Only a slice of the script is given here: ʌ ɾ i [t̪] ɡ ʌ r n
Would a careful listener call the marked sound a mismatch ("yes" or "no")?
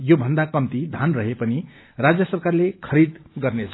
yes